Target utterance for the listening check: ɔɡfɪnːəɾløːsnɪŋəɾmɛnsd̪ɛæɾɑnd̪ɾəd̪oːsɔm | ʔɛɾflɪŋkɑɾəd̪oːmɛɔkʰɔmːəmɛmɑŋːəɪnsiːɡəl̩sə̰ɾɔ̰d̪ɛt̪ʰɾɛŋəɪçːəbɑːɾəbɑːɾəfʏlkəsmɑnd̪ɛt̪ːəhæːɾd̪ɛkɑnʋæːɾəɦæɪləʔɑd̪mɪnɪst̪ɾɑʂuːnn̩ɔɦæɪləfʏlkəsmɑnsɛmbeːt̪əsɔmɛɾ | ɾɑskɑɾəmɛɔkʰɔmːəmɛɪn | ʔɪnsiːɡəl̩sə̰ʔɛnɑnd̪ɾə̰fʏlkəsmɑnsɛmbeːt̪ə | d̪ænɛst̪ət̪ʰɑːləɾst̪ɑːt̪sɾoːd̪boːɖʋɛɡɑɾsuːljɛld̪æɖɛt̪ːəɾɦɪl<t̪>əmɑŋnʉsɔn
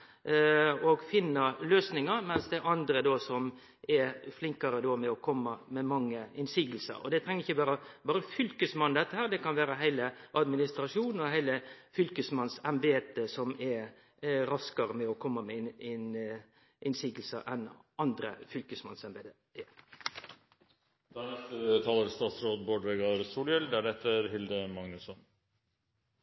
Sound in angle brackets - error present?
yes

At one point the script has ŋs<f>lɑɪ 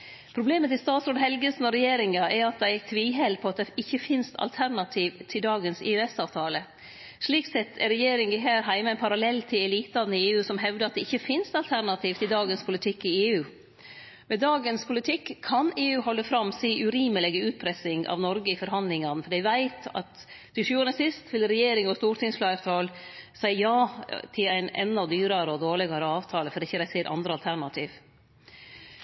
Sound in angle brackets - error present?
no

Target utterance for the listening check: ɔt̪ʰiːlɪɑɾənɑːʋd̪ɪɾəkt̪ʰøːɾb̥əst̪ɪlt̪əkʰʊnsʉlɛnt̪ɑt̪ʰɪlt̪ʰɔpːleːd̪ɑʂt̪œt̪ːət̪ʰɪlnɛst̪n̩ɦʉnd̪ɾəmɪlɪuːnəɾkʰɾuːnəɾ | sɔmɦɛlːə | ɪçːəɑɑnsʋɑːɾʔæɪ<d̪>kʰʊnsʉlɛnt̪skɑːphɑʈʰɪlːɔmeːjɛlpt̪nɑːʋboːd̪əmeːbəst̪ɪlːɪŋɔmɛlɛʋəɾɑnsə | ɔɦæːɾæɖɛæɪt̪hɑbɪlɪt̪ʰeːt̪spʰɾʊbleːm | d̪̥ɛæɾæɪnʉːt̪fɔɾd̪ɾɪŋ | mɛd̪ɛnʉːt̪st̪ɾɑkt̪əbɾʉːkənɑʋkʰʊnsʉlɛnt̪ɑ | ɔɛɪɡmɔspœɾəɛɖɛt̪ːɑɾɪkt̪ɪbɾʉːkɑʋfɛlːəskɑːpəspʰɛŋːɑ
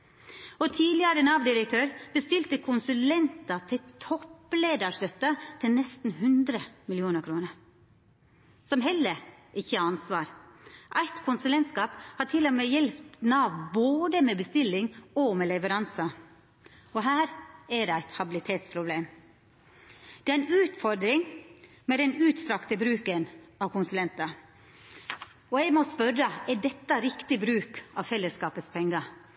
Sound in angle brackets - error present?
yes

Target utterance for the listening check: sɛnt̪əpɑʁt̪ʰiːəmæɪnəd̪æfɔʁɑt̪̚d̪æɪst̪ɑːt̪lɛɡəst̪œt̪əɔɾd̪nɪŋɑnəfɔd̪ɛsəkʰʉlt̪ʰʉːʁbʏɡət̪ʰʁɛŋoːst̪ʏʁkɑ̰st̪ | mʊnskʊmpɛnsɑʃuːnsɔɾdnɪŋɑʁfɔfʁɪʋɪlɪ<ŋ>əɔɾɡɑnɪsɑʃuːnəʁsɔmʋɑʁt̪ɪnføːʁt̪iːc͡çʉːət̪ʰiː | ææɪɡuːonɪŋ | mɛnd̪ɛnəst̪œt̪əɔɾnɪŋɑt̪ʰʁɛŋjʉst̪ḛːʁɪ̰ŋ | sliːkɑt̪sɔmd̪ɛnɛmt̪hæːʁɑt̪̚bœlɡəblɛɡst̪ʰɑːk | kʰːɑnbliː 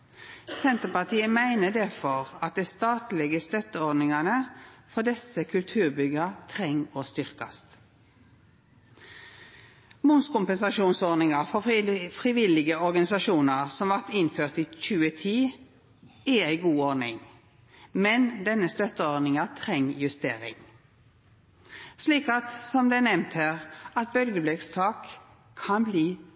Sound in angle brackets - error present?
yes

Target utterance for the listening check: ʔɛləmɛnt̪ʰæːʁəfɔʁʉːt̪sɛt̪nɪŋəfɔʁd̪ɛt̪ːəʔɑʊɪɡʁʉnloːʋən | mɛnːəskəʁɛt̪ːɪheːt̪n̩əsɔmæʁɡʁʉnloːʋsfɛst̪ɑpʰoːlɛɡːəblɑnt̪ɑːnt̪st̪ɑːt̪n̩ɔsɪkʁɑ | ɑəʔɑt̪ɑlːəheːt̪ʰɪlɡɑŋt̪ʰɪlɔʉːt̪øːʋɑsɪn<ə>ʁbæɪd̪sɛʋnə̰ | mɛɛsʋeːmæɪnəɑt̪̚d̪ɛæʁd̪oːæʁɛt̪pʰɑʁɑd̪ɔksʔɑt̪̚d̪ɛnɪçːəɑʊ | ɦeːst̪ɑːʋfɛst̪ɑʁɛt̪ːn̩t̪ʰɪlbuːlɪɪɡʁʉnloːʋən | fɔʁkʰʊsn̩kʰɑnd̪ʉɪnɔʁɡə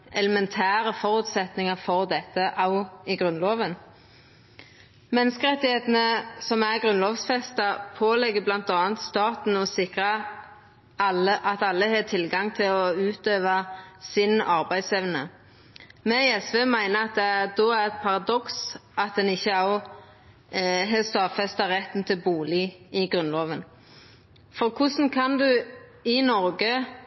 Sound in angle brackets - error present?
yes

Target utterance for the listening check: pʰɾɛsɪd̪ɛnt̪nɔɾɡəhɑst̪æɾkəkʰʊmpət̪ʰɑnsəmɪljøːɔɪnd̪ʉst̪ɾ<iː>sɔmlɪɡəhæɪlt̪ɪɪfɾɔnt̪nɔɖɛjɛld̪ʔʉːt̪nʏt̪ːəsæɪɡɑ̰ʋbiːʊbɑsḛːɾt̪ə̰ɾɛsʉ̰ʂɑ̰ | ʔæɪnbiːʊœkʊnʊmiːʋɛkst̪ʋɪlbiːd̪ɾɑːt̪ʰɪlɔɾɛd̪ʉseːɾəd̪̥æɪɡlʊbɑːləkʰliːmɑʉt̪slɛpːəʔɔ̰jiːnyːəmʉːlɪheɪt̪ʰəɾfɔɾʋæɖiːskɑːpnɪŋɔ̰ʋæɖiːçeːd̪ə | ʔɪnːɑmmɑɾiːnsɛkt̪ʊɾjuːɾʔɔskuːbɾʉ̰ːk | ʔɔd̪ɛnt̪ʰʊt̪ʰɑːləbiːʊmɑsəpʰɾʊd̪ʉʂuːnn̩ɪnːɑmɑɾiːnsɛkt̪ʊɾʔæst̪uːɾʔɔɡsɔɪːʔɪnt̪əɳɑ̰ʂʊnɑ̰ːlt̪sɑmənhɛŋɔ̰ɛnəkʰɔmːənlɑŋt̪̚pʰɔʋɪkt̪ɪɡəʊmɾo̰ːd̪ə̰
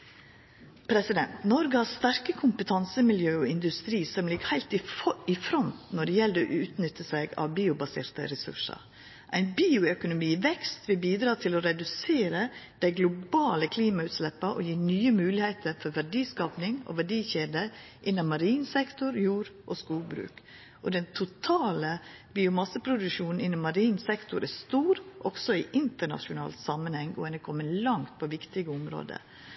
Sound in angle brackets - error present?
no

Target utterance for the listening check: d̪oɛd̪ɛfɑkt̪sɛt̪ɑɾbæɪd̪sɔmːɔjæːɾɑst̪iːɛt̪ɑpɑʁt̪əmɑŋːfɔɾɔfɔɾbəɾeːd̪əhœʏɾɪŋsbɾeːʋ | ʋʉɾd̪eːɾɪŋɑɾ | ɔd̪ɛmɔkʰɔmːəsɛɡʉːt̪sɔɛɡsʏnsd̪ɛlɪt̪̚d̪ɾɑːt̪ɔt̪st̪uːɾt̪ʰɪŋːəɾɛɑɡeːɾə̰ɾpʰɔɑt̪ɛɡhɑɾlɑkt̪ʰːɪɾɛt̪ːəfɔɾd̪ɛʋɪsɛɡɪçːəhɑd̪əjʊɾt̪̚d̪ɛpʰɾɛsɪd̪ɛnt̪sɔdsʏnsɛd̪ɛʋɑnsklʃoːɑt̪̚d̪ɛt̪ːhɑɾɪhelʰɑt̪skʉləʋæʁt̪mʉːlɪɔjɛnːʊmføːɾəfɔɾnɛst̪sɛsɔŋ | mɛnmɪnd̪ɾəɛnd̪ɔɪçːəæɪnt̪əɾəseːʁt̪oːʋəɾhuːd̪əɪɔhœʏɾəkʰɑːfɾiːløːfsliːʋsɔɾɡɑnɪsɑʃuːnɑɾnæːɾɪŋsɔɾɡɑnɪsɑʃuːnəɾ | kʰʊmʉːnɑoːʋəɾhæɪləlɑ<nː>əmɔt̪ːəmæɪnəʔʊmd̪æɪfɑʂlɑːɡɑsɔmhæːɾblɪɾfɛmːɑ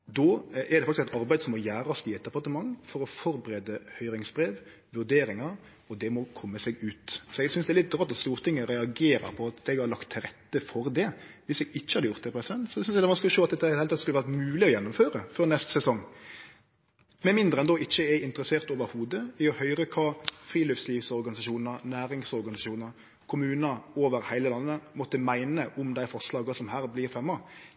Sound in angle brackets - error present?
no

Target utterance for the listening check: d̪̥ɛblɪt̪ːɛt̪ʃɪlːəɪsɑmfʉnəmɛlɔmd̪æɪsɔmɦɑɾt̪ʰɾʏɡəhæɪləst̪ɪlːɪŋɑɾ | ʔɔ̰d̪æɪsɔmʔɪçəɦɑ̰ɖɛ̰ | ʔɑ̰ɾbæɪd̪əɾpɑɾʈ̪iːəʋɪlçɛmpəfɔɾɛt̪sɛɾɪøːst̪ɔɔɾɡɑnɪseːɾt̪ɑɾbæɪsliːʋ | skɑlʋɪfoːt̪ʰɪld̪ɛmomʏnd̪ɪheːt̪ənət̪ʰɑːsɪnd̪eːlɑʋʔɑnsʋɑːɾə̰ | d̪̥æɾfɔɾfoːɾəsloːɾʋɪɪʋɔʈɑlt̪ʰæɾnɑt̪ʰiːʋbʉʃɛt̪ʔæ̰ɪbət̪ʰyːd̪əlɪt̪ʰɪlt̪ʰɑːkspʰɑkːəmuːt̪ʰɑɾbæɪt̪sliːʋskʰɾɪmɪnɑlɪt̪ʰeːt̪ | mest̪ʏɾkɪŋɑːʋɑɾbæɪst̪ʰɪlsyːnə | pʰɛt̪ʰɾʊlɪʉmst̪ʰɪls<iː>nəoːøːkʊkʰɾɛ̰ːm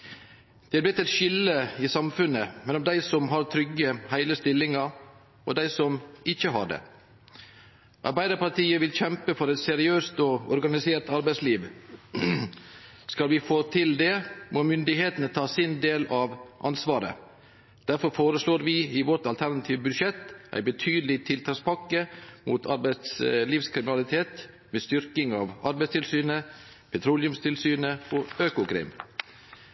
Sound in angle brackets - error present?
yes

